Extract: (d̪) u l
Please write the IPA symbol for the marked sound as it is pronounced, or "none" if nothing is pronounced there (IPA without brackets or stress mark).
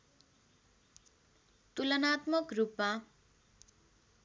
t̪